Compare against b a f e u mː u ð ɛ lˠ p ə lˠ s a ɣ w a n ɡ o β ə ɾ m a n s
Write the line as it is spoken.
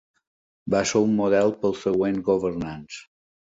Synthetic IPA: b a s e u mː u ð ɛ lˠ p ə lˠ s ə ɣ w e n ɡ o β ə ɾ n a n s